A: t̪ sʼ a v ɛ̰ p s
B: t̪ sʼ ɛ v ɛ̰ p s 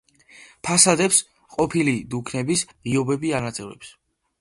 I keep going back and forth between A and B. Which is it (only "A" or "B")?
B